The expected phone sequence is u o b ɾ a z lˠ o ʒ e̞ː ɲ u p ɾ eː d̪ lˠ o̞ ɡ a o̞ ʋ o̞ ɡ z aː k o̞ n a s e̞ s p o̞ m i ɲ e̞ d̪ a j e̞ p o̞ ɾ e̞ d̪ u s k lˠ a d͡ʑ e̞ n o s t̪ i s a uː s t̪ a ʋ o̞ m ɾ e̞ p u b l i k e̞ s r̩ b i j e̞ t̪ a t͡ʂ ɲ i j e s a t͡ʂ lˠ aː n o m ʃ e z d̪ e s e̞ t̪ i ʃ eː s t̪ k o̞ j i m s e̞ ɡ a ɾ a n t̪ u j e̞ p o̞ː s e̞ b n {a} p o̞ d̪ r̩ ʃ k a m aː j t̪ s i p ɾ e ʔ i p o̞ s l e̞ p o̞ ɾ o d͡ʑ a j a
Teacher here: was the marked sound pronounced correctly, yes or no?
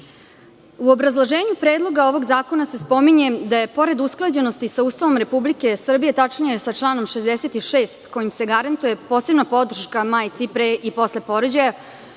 yes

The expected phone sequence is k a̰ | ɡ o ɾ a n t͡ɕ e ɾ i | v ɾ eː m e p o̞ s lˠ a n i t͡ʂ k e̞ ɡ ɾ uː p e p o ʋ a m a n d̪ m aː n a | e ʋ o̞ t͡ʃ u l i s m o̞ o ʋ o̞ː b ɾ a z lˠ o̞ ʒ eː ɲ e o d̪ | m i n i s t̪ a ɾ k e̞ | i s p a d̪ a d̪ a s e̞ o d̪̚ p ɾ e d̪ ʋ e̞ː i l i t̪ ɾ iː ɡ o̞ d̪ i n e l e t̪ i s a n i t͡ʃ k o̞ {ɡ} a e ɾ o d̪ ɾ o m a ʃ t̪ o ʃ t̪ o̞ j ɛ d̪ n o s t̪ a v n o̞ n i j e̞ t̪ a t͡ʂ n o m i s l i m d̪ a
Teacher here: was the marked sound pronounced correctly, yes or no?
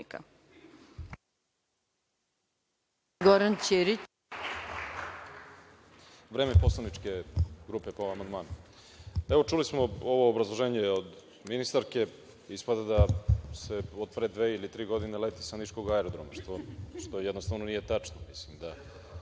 yes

